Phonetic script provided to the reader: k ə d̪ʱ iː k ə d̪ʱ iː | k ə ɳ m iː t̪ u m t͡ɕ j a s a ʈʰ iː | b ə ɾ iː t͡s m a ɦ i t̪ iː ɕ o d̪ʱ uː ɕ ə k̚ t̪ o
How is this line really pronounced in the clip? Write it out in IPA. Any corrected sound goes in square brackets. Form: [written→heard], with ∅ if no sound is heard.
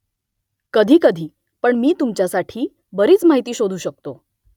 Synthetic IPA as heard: k ə d̪ʱ iː k ə d̪ʱ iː | [k→p] ə ɳ m iː t̪ u m t͡ɕ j a s a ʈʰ iː | b ə ɾ iː t͡s m a ɦ i t̪ iː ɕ o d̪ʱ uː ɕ ə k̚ t̪ o